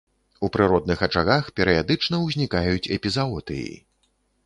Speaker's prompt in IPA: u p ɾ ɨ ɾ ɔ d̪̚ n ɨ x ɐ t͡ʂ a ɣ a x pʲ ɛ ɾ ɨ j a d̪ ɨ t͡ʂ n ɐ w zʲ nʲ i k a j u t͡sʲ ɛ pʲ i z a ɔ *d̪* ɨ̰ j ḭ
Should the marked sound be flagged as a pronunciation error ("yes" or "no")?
yes